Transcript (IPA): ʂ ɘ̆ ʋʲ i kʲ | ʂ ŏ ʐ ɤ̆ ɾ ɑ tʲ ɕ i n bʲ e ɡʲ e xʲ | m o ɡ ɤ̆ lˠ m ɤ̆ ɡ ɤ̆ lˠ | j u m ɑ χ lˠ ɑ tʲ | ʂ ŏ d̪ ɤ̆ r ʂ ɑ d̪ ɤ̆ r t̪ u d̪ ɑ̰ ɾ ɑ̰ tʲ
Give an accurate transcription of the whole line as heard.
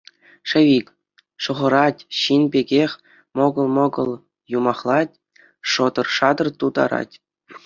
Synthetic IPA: ʂ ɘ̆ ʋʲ i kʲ | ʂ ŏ ʁ ɤ̆ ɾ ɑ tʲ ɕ i n bʲ e ɡʲ e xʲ | m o ɡ ɤ̆ lˠ m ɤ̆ ɡ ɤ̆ lˠ | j u m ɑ χ lˠ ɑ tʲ | ʂ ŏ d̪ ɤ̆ r ʂ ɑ d̪ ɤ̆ r t̪ u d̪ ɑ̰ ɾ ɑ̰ tʲ